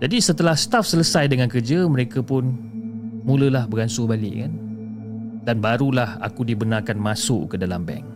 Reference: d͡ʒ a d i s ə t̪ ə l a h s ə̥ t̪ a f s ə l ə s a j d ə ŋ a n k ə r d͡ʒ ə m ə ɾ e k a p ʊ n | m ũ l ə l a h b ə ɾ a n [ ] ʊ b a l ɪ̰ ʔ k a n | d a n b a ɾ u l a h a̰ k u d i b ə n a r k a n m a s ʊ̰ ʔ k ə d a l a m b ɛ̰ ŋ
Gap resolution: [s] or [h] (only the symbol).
s